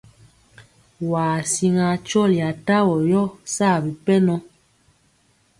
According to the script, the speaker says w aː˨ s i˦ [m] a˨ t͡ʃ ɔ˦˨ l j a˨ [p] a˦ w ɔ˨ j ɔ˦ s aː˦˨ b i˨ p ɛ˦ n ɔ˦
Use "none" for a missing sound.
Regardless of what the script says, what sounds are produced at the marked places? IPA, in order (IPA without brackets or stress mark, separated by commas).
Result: ŋ, t